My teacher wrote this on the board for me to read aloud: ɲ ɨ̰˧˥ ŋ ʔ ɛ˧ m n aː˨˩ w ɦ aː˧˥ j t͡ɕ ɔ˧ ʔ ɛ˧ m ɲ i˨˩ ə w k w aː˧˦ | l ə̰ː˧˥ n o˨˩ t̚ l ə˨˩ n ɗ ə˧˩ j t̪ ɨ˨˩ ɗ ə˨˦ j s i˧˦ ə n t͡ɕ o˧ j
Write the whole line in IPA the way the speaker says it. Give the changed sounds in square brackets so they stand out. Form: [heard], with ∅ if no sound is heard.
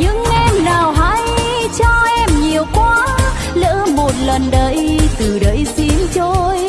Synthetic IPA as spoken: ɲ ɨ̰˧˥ ŋ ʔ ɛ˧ m n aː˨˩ w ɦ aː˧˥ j t͡ɕ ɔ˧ ʔ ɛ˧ m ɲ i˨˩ ə w k w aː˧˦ | l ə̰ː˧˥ [m] o˨˩ t̚ l ə˨˩ n ɗ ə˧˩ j t̪ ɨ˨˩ ɗ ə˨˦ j s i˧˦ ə n t͡ɕ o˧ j